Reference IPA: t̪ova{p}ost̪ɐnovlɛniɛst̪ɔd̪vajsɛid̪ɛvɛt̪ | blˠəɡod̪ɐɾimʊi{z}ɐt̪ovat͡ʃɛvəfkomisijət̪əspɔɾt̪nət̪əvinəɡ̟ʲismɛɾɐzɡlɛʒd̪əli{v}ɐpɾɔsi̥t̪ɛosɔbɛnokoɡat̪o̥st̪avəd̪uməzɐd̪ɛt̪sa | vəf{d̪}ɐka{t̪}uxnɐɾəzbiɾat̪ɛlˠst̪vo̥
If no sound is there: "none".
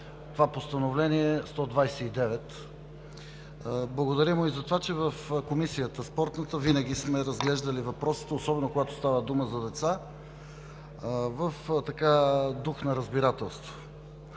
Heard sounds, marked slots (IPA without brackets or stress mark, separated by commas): p, z, v, t̪, d̪